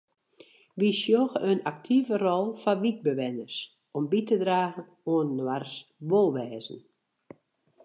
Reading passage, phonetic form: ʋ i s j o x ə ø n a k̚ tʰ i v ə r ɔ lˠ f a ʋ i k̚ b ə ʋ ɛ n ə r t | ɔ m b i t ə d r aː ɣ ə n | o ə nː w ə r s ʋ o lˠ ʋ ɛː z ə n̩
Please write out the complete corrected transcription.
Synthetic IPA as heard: ʋ i s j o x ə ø n a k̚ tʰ i v ə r ɔ lˠ f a ʋ i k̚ b ə ʋ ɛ n ə r s | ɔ m b i t ə d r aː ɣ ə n | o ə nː w a r s ʋ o lˠ ʋ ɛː z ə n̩